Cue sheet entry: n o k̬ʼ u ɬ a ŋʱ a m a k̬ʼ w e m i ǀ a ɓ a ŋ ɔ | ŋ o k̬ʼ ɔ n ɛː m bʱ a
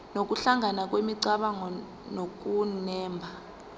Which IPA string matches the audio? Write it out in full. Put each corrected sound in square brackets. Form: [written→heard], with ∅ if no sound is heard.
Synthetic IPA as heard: n o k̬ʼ u ɬ a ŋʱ a [m→n] a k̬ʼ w e m i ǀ a ɓ a ŋ ɔ | [ŋ→n] o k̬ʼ [ɔ→u] n ɛː m bʱ a